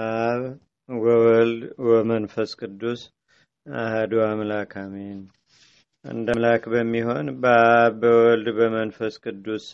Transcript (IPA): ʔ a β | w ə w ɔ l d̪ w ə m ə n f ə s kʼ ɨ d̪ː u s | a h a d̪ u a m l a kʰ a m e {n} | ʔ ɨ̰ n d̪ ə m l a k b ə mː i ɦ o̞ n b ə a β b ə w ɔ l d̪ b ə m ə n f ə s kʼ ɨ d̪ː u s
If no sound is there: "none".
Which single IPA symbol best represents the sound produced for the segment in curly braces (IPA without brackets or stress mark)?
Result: n